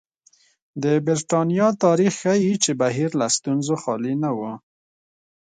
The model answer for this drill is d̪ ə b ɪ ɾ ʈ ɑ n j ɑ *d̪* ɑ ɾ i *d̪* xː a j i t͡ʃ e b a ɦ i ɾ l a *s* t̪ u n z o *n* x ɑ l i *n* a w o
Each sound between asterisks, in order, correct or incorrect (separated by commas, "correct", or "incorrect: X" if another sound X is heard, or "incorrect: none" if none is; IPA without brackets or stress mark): incorrect: t̪, incorrect: none, correct, incorrect: none, correct